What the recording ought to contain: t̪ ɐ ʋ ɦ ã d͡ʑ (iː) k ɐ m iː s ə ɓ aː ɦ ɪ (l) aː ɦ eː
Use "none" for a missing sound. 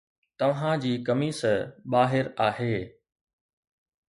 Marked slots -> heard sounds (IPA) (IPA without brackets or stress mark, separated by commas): iː, ɾ